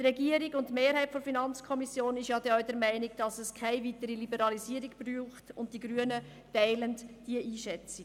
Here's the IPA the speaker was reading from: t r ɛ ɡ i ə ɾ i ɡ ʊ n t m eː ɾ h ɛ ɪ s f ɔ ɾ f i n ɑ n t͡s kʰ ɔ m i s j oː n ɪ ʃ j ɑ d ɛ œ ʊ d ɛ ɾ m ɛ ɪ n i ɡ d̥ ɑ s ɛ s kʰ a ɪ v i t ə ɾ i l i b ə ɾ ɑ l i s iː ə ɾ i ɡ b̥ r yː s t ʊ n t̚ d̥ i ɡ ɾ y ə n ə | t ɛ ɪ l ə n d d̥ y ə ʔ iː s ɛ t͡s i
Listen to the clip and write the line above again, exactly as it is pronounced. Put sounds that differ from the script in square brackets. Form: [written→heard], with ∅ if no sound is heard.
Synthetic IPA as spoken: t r ɛ ɡ i ə ɾ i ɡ ʊ n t m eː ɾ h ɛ ɪ [s→t] f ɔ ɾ f i n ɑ n t͡s kʰ ɔ m i s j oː n ɪ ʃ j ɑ d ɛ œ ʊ d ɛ ɾ m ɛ ɪ n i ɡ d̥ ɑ s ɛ s kʰ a ɪ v i t ə ɾ i l i b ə ɾ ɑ l i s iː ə ɾ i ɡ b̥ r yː [s→χ] t ʊ n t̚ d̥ i ɡ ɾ y ə n ə | t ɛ ɪ l ə n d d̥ [y→i] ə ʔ iː [s→ʃ] ɛ t͡s i